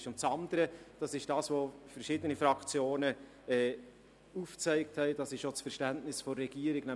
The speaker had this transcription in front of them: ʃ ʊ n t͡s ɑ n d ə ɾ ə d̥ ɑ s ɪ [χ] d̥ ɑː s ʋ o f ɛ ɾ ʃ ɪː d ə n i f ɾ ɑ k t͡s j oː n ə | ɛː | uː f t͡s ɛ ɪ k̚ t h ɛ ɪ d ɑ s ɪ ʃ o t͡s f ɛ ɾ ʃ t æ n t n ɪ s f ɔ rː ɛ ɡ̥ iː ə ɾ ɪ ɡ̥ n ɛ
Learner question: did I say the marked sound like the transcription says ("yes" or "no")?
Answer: no